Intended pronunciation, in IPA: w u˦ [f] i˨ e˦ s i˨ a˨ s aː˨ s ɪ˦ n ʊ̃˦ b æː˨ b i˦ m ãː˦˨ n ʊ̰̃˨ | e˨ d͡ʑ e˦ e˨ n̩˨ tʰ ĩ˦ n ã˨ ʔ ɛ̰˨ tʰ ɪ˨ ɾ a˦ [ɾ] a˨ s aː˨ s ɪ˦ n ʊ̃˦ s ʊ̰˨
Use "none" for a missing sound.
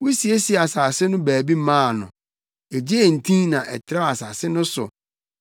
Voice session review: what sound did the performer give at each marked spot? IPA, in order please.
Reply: s, none

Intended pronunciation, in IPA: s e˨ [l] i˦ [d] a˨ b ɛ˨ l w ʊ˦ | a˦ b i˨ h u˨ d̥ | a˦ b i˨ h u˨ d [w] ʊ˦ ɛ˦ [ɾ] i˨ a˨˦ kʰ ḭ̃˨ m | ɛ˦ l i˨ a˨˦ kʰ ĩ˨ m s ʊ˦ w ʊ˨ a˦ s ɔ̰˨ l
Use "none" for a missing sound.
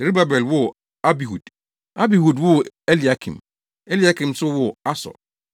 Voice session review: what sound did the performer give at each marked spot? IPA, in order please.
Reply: ɾ, b, w, l

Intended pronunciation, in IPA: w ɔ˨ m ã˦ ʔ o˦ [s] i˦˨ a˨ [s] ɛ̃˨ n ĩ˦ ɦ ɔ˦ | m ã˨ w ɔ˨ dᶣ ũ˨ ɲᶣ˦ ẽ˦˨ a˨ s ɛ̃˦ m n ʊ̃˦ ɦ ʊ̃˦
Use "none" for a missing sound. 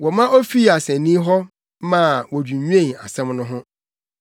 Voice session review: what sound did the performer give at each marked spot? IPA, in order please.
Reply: f, s

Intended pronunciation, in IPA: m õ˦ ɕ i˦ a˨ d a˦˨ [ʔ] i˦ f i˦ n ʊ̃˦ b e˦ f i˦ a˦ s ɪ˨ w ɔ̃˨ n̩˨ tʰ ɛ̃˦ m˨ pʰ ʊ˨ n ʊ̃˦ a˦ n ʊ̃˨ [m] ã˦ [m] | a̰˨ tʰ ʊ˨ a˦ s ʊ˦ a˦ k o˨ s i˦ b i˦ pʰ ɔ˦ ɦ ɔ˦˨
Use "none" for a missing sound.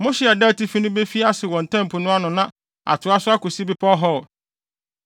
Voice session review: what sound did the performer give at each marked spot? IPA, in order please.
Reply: t, n, none

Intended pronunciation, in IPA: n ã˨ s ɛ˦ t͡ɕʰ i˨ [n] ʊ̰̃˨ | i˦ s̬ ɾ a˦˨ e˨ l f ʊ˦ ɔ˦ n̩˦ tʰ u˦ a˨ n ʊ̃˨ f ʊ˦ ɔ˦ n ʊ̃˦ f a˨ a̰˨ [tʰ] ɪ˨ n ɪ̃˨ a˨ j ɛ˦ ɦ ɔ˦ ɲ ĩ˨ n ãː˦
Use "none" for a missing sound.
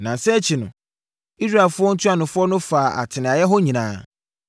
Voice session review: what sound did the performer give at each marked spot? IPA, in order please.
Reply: n, tʰ

